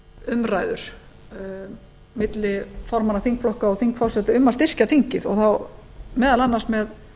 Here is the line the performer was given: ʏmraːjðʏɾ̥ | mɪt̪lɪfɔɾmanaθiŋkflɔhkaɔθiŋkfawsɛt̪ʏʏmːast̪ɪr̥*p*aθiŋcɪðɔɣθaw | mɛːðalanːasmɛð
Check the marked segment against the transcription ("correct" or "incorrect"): incorrect